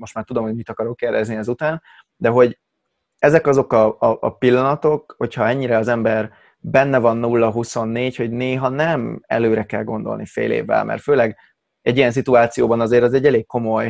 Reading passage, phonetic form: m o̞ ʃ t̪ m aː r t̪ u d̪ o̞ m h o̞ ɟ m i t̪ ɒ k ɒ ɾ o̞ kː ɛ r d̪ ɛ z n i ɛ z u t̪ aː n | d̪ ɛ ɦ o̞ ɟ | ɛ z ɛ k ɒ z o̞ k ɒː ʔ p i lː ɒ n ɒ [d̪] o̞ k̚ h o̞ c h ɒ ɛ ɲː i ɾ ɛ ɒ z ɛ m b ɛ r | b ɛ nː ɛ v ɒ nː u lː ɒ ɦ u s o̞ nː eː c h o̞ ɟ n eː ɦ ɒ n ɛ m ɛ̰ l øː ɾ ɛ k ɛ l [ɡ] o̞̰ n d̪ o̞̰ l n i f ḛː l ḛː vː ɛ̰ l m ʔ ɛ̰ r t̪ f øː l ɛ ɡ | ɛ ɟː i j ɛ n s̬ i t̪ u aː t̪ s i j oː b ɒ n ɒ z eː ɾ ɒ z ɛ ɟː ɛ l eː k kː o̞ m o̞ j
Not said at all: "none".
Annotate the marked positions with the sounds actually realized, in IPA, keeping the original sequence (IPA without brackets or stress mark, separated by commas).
t̪, ɡ